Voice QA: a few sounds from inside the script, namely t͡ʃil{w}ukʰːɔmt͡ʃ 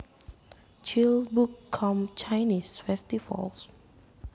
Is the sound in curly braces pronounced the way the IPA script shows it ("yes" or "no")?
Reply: no